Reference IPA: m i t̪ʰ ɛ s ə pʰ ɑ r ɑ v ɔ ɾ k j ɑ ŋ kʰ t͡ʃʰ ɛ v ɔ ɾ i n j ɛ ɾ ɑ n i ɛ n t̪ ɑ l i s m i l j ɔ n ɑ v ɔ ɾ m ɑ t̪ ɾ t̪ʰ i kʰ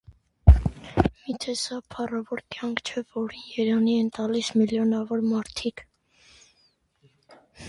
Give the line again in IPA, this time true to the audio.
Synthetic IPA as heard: m i t̪ʰ ɛ s ɑ pʰ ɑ r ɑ v ɔ ɾ k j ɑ ŋ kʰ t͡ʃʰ ɛ v ɔ ɾ i n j ɛ ɾ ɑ n i ɛ n t̪ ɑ l i s m i l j ɔ n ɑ v ɔ ɾ m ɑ ɾ t̪ʰ i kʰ